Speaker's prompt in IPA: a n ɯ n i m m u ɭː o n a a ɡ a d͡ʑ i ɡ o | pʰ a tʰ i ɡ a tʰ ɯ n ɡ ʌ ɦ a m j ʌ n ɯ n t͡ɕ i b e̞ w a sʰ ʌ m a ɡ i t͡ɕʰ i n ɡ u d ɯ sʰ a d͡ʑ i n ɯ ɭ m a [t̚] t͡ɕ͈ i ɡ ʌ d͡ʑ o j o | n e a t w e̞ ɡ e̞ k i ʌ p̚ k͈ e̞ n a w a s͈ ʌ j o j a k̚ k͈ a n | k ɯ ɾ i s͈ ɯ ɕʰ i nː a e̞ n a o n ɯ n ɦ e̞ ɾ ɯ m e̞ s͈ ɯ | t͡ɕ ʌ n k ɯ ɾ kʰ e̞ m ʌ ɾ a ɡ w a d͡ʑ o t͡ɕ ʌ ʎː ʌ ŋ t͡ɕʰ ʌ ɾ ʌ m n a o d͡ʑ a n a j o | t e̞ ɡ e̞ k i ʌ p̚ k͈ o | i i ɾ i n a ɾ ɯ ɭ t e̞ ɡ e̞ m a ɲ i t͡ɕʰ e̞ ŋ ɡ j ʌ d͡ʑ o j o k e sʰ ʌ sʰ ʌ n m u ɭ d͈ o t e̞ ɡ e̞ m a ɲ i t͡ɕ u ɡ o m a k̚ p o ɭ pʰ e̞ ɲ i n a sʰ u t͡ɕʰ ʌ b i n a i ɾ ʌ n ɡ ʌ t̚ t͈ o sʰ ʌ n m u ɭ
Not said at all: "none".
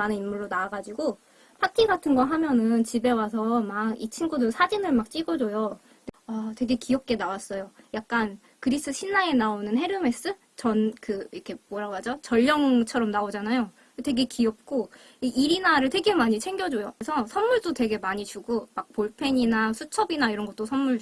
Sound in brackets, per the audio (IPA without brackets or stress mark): k̚